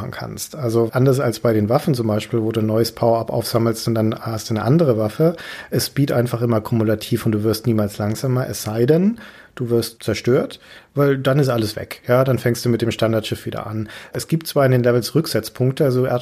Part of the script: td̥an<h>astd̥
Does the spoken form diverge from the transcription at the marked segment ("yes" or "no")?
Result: no